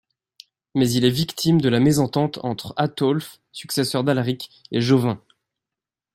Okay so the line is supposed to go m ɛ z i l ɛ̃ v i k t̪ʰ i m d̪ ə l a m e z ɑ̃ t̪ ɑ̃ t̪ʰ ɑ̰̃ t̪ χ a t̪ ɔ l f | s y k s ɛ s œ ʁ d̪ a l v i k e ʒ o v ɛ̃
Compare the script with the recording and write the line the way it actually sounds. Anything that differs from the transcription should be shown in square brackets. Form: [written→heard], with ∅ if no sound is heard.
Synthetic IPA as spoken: m ɛ z i l [ɛ̃→ɛ] v i k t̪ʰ i m d̪ ə l a m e z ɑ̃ t̪ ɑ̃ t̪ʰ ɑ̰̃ t̪ χ a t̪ ɔ l f | s y k s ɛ s œ ʁ d̪ a l [v→ʁ] i k e ʒ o v ɛ̃